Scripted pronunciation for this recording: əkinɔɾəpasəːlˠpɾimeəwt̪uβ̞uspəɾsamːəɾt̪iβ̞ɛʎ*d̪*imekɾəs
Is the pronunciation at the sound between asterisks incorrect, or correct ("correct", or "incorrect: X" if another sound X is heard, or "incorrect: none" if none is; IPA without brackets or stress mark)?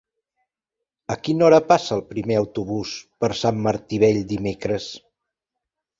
correct